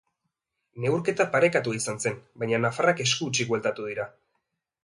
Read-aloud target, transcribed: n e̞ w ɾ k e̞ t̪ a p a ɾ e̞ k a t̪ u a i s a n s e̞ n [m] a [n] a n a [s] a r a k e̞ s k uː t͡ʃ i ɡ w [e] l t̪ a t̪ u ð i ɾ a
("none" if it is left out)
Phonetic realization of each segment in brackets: b, ɲ, f, e

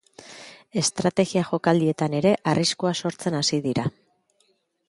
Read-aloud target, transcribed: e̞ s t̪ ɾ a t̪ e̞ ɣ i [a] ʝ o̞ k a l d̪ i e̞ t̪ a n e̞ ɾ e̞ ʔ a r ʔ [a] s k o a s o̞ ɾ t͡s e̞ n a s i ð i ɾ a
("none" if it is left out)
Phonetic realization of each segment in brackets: a, i

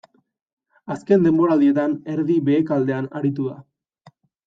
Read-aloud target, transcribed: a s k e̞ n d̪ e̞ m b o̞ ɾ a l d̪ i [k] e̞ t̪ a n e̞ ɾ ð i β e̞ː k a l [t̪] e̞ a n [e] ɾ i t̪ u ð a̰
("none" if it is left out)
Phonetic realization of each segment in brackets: none, d̪, a

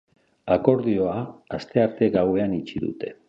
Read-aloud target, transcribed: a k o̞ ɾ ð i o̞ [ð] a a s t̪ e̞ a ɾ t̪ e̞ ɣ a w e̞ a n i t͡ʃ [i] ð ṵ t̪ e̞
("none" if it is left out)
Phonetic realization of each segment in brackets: none, i

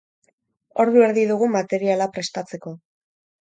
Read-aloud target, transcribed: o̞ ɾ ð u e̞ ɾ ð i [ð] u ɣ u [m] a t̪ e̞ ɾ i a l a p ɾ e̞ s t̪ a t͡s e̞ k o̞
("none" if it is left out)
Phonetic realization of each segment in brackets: ð, m

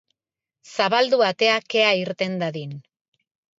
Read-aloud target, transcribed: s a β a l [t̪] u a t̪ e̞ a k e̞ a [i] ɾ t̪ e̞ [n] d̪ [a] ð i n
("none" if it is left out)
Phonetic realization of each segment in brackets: d̪, i, n, a

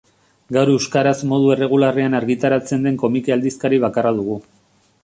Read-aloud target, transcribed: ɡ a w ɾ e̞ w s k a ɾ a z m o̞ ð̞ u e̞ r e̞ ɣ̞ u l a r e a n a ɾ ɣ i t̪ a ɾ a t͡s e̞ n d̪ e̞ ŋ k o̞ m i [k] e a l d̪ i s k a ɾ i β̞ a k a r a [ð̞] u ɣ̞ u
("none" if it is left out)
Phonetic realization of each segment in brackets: k, ð̞

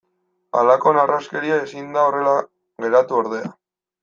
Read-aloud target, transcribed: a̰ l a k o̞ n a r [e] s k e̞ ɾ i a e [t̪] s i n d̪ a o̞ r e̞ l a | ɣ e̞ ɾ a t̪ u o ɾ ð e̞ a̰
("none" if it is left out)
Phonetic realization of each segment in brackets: a, none

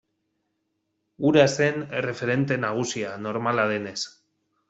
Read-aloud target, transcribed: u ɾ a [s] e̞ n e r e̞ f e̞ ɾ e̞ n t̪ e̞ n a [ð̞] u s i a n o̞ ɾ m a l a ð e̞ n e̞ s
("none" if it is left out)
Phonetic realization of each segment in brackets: s, ɣ̞

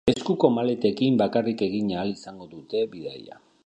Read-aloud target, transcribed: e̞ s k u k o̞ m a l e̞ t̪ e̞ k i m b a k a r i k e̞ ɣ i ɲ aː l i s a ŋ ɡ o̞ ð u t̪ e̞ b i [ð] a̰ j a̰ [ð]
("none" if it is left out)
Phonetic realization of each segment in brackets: ð, none

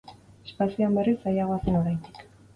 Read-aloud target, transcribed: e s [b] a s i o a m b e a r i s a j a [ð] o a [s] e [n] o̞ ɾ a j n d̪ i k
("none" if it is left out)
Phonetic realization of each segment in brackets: p, ɣ, s, n

